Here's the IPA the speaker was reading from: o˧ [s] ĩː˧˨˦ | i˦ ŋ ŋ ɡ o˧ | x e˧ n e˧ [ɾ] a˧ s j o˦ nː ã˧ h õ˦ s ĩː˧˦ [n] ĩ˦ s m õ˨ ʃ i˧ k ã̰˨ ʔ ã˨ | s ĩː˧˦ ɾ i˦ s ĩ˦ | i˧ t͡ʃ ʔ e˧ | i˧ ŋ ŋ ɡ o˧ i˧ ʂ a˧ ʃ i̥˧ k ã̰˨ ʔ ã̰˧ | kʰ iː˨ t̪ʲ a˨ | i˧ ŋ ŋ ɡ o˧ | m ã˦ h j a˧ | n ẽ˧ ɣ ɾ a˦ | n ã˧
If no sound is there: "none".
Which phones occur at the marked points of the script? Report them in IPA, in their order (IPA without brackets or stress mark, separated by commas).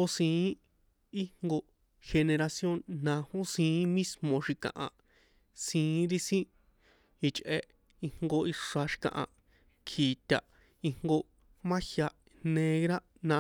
s, ɾ, m